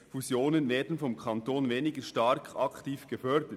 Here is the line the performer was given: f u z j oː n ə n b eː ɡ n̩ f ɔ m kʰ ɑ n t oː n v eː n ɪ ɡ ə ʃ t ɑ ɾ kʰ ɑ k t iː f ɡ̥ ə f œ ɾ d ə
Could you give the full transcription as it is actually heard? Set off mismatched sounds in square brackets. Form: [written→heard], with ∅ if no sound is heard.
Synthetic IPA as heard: f u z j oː n ə n [b→v] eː [ɡ→d] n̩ f ɔ m kʰ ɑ n t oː n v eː n ɪ ɡ ə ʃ t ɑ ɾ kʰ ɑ k t iː f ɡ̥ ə f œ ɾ d ə